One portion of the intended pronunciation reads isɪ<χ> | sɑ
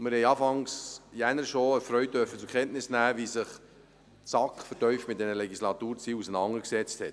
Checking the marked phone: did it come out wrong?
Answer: no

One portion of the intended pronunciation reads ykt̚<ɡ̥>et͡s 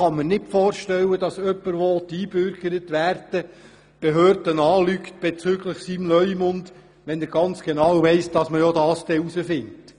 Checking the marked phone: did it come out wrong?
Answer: yes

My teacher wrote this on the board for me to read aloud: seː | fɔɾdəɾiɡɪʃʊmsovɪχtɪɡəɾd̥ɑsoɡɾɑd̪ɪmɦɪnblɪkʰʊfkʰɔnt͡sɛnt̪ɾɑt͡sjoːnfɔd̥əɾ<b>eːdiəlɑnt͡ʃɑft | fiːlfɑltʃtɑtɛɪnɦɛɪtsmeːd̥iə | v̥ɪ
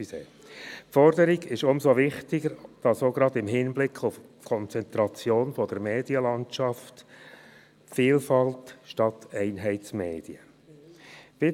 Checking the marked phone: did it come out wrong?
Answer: yes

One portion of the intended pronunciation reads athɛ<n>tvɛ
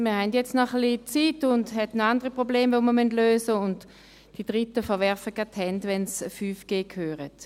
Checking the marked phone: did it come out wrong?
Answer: no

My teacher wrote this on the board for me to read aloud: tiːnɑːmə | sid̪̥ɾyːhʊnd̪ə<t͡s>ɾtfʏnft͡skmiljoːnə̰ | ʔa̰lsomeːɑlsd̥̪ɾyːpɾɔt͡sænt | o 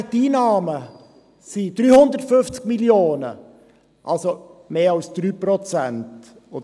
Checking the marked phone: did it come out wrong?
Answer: yes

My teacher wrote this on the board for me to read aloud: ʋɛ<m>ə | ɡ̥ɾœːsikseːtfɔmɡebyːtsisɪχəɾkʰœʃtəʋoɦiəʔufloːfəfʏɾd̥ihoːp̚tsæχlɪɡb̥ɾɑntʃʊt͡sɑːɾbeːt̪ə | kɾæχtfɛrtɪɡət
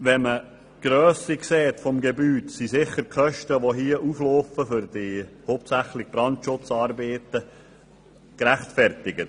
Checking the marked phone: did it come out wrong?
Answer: no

